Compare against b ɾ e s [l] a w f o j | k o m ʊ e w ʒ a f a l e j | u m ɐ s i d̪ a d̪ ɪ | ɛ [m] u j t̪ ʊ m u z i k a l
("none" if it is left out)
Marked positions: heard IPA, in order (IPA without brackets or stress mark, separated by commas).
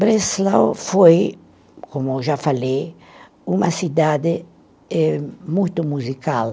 l, m